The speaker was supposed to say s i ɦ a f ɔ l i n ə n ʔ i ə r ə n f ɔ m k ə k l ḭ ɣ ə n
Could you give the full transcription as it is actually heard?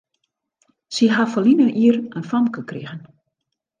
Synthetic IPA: s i ɦ a f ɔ l i n ə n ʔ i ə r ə n f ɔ m k ə k r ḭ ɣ ə n